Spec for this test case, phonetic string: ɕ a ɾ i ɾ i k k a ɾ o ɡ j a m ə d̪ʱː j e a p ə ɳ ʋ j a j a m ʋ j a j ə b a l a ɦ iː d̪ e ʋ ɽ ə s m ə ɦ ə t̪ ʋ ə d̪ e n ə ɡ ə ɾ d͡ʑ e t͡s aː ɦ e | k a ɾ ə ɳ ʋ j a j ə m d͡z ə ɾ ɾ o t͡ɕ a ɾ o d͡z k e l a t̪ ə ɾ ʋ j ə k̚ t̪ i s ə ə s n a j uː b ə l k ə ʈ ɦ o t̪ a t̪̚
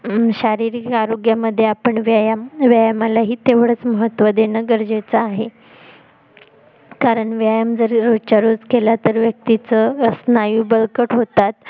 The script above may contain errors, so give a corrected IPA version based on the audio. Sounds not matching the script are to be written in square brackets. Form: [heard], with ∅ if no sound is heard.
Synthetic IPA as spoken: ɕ a ɾ i ɾ i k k a ɾ o ɡ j a m ə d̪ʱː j e a p ə ɳ ʋ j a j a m ʋ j a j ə [m] a l a ɦ iː [t̪] e ʋ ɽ ə [t͡s] m ə ɦ ə t̪ ʋ ə d̪ e n ə ɡ ə ɾ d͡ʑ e t͡s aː ɦ e | k a ɾ ə ɳ ʋ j a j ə m d͡z ə ɾ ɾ o t͡ɕ a ɾ o d͡z k e l a t̪ ə ɾ ʋ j ə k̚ t̪ i [t͡s] ə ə s n a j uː b ə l k ə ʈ ɦ o t̪ a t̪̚